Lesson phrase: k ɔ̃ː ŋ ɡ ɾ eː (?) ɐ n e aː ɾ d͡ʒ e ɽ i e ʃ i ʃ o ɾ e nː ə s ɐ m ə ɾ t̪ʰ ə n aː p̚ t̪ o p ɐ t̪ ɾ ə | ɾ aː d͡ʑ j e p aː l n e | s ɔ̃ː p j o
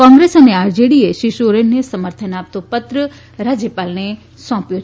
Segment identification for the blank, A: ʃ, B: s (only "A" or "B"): B